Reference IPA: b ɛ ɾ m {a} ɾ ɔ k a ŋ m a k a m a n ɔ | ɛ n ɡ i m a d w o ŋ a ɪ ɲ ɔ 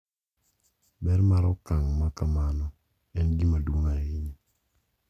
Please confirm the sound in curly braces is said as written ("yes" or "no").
yes